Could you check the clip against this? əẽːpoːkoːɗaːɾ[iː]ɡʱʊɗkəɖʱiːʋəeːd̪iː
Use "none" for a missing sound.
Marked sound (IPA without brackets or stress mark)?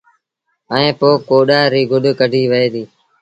iː